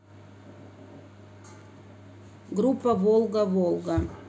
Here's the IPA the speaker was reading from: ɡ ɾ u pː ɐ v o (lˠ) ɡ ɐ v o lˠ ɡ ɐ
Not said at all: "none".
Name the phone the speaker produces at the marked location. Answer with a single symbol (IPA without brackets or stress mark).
lˠ